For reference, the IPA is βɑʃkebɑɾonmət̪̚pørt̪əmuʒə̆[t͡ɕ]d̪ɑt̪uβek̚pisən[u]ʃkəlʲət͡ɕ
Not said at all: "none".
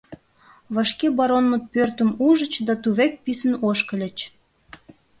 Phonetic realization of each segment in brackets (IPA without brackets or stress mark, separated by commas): t͡ɕ, o